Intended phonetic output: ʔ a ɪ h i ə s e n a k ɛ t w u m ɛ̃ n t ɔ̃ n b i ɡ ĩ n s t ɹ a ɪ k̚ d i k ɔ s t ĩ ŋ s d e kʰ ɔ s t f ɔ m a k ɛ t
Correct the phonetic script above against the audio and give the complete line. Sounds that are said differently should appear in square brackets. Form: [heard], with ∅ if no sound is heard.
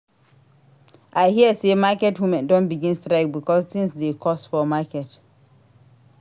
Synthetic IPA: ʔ a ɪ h i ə s e [m] a k ɛ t w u m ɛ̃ n [d] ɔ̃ n b i ɡ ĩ n s t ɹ a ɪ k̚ [b] i k ɔ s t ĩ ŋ s d e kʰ ɔ s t f ɔ m a k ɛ t